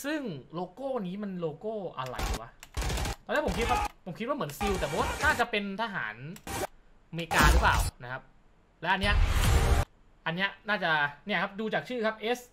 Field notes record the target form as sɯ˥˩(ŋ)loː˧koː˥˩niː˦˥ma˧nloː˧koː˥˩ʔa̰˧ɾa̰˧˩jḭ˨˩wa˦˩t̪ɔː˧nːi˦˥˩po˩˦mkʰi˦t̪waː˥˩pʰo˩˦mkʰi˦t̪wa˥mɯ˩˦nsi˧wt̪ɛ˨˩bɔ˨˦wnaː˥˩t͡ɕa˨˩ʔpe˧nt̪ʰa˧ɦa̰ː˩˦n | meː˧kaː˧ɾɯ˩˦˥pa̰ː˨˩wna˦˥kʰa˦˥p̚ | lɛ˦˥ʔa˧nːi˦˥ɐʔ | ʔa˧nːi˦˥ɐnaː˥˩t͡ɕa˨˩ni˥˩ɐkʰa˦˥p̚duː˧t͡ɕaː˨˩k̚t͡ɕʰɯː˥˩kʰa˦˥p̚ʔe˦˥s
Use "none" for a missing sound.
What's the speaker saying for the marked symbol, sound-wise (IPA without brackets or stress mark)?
ŋ